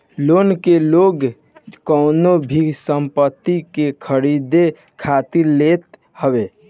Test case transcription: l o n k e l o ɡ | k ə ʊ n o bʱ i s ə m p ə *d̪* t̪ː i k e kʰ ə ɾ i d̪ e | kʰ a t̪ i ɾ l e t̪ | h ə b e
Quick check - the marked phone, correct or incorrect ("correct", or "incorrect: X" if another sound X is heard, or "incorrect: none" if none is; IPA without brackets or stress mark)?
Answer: incorrect: none